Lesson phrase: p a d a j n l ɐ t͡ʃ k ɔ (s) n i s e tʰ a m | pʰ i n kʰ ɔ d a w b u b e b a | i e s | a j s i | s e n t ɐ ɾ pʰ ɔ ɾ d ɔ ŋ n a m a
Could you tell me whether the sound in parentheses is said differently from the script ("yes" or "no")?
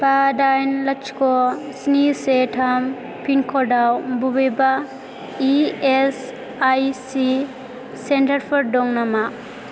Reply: no